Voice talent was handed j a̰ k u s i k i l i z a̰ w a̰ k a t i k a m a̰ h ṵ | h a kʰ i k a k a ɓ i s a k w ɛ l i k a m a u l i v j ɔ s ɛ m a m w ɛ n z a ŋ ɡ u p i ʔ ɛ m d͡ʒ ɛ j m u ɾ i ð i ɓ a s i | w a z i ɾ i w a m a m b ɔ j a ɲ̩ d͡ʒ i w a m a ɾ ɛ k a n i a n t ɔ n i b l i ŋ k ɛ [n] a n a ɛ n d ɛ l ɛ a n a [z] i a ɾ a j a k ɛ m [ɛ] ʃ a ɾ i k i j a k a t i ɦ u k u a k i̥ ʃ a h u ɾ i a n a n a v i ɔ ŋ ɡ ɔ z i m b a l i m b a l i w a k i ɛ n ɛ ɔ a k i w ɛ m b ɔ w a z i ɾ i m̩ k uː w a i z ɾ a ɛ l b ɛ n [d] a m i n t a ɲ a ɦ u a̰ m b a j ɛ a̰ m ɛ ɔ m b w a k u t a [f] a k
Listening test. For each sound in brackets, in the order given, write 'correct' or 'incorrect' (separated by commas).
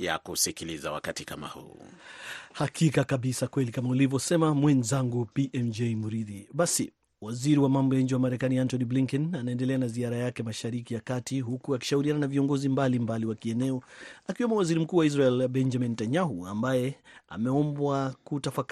correct, correct, incorrect, incorrect, correct